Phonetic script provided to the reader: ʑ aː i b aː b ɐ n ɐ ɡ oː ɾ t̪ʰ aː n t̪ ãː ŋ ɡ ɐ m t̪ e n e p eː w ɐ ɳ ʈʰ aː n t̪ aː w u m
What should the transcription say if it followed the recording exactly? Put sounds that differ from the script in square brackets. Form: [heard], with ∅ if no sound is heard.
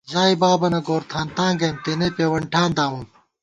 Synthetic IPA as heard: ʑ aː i b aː b ɐ n ɐ ɡ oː ɾ t̪ʰ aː n t̪ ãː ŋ ɡ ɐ m t̪ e n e p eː w ɐ ɳ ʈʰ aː n [d̪] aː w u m

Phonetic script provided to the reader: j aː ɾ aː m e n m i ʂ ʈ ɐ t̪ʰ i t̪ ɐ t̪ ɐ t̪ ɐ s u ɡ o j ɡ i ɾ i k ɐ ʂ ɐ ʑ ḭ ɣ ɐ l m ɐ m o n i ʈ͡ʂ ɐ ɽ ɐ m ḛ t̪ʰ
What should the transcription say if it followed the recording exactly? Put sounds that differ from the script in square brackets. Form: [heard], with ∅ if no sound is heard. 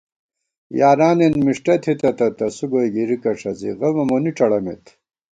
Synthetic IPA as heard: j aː ɾ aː [n] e n m i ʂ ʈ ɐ t̪ʰ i t̪ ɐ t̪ ɐ t̪ ɐ s u ɡ o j ɡ i ɾ i k ɐ ʂ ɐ [z] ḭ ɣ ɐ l m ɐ m o n i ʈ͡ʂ ɐ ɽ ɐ m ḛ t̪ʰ

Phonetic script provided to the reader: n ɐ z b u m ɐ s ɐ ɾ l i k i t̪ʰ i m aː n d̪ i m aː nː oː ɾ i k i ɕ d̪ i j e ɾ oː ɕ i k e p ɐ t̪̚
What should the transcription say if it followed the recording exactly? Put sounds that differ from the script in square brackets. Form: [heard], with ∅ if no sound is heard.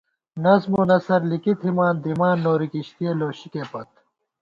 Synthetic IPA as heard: n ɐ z [m] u [n] ɐ s ɐ ɾ l i k i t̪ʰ i m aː n d̪ i m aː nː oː ɾ i k i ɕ [t̪] i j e [l] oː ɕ i k e p ɐ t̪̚

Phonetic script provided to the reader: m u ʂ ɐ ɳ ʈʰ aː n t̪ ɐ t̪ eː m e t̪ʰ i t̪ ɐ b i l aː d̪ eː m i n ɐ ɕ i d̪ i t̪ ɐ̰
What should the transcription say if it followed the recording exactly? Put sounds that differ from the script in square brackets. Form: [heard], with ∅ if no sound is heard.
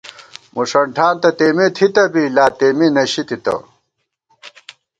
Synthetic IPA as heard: m u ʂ ɐ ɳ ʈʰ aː n t̪ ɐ t̪ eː m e t̪ʰ i t̪ ɐ b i l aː [t̪] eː m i n ɐ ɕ i [t̪] i t̪ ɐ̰

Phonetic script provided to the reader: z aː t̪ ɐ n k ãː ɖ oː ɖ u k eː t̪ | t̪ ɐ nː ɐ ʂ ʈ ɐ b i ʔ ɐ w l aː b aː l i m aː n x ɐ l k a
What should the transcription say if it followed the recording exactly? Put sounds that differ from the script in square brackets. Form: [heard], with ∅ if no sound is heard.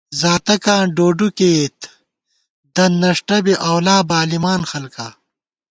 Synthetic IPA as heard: z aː t̪ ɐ [∅] k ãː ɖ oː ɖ u k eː t̪ | [d̪] ɐ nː ɐ ʂ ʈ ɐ b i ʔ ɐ w l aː b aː l i m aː n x ɐ l k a

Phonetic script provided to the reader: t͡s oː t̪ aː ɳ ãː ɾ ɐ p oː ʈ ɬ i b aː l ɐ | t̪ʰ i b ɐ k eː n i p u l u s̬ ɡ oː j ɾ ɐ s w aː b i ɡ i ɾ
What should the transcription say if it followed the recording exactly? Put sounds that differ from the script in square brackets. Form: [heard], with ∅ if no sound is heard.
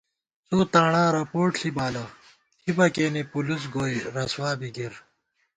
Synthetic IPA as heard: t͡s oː t̪ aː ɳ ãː ɾ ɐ p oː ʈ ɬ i b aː l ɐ | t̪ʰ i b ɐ k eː n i p u l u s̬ ɡ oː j ɾ ɐ s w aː b i ɡ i ɾ

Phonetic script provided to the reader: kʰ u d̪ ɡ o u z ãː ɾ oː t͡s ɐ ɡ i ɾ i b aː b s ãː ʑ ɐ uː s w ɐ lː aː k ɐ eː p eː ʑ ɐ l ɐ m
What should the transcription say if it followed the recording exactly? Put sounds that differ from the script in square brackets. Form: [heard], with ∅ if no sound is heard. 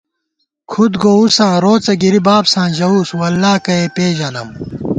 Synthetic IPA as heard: kʰ u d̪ ɡ o u [s] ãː ɾ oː t͡s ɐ ɡ i ɾ i b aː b s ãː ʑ ɐ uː s w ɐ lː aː k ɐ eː p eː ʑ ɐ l ɐ m

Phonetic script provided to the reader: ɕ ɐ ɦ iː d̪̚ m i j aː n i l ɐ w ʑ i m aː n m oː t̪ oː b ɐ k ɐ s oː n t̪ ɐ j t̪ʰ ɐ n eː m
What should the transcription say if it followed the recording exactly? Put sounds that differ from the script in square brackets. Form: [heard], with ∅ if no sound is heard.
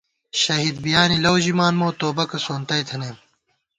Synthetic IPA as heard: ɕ ɐ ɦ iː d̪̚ [b] i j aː n i l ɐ w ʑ i m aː n m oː t̪ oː b ɐ k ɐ s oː n t̪ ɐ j t̪ʰ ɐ n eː m

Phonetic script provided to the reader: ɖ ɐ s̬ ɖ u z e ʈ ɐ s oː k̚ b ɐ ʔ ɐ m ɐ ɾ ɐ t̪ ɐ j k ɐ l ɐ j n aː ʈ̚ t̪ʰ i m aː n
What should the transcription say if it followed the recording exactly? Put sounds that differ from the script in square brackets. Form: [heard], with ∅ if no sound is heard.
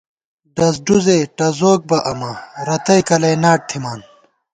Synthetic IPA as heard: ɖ ɐ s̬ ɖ u z e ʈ ɐ [z] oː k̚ b ɐ ʔ ɐ m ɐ ɾ ɐ t̪ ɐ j k ɐ l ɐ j n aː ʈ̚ t̪ʰ i m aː n

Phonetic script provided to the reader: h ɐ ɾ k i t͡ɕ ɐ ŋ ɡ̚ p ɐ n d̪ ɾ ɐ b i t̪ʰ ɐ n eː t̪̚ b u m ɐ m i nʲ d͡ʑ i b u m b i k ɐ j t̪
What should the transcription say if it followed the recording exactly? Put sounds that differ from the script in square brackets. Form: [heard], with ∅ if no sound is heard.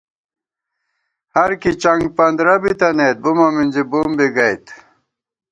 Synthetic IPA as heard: h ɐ ɾ k i t͡ɕ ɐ ŋ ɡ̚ p ɐ n d̪ ɾ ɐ b i [t̪] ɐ n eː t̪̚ b u m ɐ m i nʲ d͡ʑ i b u m b i [ɡ] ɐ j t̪

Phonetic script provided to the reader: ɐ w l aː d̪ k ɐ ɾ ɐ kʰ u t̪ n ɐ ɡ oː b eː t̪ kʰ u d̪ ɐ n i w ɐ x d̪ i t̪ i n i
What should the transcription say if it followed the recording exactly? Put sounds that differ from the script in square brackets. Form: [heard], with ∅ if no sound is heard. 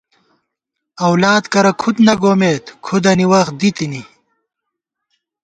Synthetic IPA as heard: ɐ w l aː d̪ k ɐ ɾ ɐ kʰ u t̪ n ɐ ɡ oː [m] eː t̪ kʰ u d̪ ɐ n i w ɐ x d̪ i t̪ i n i

